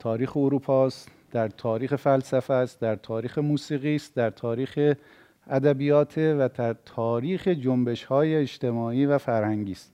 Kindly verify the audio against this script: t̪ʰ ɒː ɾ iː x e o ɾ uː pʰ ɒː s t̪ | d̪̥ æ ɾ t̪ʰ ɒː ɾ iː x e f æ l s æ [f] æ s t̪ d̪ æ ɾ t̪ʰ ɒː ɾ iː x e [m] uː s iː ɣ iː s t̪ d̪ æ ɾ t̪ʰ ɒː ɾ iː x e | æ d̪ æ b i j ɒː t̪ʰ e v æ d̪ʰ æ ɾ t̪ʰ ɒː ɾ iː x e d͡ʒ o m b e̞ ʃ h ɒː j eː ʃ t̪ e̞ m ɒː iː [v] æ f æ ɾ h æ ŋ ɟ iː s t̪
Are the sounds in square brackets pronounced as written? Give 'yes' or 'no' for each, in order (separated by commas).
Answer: yes, yes, yes